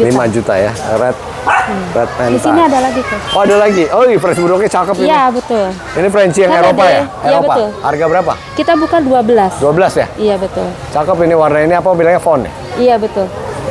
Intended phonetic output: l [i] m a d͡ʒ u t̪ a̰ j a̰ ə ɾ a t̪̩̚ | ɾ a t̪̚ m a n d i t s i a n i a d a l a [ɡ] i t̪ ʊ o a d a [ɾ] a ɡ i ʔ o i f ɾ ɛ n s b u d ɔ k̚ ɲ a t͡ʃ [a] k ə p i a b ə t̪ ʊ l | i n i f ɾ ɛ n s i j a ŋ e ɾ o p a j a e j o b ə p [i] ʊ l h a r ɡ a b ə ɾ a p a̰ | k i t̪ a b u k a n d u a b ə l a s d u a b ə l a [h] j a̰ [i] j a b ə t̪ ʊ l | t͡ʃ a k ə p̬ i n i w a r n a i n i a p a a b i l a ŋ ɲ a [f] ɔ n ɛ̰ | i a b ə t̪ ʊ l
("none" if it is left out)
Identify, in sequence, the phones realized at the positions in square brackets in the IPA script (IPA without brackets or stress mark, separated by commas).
i, ɡ, l, a, a, s, i, f